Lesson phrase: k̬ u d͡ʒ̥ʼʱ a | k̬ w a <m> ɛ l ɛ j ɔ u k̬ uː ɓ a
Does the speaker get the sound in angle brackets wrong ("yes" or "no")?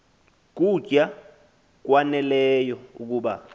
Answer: yes